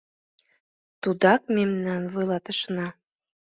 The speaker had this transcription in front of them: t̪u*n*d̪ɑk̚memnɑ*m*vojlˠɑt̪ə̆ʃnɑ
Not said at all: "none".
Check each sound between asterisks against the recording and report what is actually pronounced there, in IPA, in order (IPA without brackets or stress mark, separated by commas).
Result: none, n